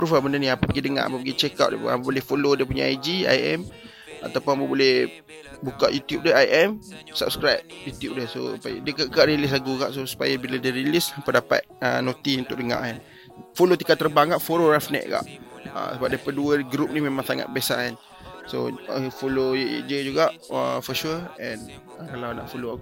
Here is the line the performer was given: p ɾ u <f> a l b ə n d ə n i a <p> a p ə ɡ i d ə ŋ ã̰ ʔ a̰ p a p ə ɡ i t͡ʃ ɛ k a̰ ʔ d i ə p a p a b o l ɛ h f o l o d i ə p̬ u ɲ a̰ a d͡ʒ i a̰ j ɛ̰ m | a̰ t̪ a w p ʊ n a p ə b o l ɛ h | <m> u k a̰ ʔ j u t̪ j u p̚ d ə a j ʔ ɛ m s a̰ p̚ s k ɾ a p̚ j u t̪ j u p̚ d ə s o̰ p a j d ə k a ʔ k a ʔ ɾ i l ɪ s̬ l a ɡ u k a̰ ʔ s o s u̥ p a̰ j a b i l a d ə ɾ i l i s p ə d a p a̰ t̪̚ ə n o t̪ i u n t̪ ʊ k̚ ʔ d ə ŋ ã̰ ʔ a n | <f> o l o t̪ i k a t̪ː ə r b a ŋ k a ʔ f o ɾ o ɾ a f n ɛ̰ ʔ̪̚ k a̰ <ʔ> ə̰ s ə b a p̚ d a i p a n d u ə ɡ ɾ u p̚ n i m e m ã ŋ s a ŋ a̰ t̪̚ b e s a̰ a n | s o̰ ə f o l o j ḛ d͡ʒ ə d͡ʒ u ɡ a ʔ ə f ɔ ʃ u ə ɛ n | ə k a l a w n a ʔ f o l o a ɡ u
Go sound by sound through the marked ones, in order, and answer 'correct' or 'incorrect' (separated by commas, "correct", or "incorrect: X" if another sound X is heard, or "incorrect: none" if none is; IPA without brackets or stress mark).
correct, correct, incorrect: b, correct, correct